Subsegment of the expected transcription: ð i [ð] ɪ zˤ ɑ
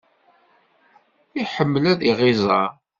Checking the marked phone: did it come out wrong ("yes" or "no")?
yes